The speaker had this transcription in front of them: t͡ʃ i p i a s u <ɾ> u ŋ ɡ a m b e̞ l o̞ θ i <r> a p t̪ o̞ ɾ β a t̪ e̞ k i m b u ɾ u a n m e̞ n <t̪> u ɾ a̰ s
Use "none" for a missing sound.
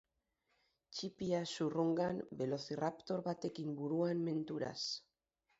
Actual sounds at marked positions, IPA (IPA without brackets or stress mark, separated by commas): r, r, t̪